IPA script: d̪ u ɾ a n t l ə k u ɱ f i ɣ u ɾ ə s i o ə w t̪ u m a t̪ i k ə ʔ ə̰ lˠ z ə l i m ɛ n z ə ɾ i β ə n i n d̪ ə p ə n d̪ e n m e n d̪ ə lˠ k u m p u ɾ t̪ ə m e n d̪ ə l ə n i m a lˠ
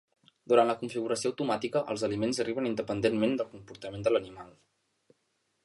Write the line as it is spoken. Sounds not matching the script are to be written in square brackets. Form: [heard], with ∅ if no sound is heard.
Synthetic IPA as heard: d̪ u ɾ a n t l ə k u ɱ f i ɣ u ɾ ə s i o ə w t̪ u m a t̪ i k ə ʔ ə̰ lˠ z ə l i m [e] n z ə [r] i β ə n i n d̪ ə p ə n d̪ e n m e n d̪ ə lˠ k u m p u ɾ t̪ ə m e n d̪ ə l ə n i m a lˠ